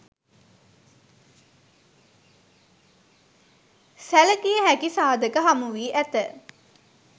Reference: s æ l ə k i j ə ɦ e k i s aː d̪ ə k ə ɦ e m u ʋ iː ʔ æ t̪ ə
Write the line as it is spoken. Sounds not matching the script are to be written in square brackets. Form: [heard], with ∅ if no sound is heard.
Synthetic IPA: s æ l ə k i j ə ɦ [æ] k i s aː d̪ ə k ə ɦ [a] m u ʋ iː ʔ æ t̪ ə